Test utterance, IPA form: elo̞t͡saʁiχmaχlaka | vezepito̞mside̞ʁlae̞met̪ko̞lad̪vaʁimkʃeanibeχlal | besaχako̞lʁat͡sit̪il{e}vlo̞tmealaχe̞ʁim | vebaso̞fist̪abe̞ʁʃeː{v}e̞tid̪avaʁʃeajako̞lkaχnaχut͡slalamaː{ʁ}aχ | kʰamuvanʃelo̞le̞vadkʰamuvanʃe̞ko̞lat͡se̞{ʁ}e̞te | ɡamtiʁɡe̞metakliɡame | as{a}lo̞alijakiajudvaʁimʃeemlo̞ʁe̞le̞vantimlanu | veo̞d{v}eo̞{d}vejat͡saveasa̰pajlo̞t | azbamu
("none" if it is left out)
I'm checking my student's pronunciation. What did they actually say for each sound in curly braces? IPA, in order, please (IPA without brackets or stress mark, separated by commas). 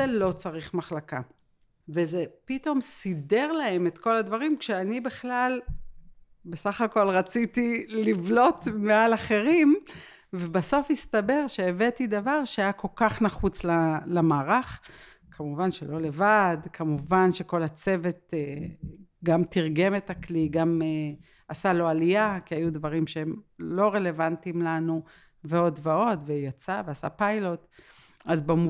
i, v, ʁ, v, a, v, d